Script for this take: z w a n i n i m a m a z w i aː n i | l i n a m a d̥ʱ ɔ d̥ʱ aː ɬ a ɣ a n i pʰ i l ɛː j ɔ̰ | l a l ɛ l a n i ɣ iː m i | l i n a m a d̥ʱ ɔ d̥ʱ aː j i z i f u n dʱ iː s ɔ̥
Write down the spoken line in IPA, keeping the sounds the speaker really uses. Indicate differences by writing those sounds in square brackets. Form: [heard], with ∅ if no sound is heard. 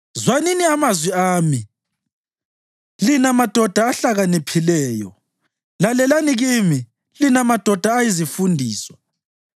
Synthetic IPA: z w a n i n i [∅] a m a z w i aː [m] i | l i n a m a d̥ʱ ɔ d̥ʱ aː ɬ a ɣ a n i pʰ i l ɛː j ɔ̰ | l a l ɛ l a n i ɣ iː m i | l i n a m a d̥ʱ ɔ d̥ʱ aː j i z i f u n dʱ iː s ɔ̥